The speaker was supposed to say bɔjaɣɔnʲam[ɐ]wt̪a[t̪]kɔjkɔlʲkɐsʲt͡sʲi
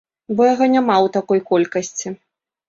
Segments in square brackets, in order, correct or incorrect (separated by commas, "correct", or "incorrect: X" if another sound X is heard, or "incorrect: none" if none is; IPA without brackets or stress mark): incorrect: a, incorrect: none